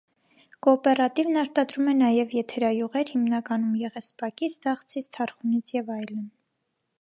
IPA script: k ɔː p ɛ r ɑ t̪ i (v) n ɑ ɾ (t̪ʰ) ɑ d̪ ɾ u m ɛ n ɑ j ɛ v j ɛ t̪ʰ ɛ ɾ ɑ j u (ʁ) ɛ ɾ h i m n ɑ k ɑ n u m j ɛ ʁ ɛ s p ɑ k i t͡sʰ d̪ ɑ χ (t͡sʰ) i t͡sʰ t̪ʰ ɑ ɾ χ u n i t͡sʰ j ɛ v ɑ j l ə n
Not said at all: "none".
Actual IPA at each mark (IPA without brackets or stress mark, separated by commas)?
v, t̪, ʁ, t͡sʰ